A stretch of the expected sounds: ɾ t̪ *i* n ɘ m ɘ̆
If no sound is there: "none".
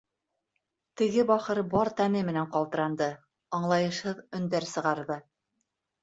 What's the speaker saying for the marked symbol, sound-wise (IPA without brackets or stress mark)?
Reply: æ